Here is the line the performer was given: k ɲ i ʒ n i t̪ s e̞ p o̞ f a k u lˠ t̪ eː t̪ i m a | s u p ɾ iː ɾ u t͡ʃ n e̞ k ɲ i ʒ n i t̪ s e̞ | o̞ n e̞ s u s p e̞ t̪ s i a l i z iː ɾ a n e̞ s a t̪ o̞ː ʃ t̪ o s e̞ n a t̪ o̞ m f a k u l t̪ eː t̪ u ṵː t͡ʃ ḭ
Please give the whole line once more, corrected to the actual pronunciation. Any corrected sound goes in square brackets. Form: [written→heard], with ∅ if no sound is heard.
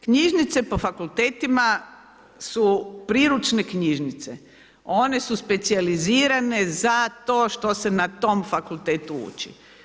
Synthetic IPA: k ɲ i ʒ n i t̪ s e̞ p o̞ f a k u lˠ t̪ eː t̪ i m a | s u p ɾ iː ɾ u t͡ʃ n e̞ k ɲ i ʒ n i t̪ s e̞ | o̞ n e̞ s u s p e̞ t̪ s i a l i z iː ɾ a n e̞ [s→z] a t̪ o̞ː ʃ t̪ o s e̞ n a t̪ o̞ m f a k u l t̪ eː t̪ u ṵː t͡ʃ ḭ